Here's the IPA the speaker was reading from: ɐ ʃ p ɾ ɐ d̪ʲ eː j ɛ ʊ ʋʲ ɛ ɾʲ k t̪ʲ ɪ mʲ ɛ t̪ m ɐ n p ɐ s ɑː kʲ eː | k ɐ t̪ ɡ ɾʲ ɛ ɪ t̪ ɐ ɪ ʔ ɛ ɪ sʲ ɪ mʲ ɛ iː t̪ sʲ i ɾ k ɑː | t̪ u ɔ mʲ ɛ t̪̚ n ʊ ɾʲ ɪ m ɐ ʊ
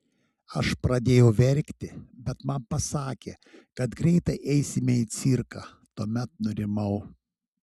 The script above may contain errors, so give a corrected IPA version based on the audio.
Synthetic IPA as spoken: ɐ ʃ p ɾ ɐ d̪ʲ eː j ɛ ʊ ʋʲ ɛ ɾʲ k t̪ʲ ɪ bʲ ɛ t̪ m ɐ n p ɐ s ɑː kʲ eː | k ɐ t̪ ɡ ɾʲ ɛ ɪ t̪ ɐ ɪ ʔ ɛ ɪ sʲ ɪ mʲ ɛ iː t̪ sʲ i ɾ k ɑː | t̪ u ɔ mʲ ɛ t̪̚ n ʊ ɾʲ ɪ m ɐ ʊ